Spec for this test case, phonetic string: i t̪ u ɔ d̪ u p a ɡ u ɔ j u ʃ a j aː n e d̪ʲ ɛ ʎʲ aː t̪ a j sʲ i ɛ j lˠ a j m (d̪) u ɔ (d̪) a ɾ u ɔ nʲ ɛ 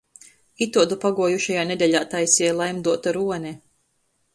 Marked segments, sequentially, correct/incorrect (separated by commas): correct, incorrect